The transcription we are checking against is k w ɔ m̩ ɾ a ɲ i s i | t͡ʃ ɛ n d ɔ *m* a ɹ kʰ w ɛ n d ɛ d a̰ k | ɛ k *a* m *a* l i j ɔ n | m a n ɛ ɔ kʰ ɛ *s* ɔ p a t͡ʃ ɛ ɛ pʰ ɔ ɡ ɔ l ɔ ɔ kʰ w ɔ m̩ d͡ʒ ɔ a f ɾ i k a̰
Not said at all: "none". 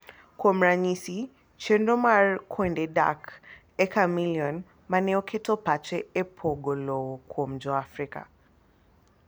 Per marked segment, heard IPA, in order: m, a, i, t

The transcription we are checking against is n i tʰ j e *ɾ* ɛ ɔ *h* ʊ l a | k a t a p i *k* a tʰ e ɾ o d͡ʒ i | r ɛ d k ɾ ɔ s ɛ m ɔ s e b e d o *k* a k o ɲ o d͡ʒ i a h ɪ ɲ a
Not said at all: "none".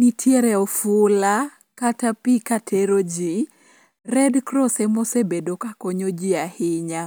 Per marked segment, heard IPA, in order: ɾ, f, k, k

